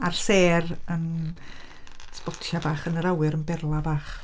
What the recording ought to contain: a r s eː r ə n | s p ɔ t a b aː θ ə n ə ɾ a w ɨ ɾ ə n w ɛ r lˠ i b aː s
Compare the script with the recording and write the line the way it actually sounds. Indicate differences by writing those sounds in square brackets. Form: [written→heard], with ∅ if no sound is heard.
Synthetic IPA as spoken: a r s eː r ə n | s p ɔ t a b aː [θ→χ] ə n ə ɾ a w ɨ ɾ ə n [w→b] ɛ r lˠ [i→a] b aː [s→χ]